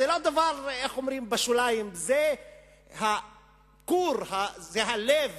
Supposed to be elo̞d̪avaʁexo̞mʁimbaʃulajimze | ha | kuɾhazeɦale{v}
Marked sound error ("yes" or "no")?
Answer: no